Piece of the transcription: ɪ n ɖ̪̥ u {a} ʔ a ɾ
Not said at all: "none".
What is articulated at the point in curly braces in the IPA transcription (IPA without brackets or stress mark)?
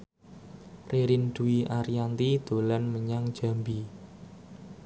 i